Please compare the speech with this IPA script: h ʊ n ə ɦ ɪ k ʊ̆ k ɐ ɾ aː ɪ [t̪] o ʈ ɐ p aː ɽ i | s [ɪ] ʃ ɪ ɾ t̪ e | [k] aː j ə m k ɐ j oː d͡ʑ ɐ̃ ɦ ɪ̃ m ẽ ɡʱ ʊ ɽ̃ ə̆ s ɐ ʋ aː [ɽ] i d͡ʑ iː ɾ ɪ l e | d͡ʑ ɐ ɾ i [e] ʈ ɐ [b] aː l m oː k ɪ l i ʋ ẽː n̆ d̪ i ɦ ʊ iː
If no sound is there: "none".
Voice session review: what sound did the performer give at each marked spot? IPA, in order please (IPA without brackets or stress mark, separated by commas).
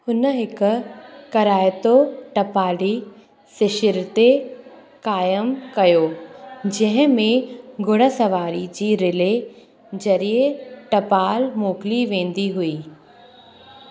t̪, ɪ, k, ɾ, e, p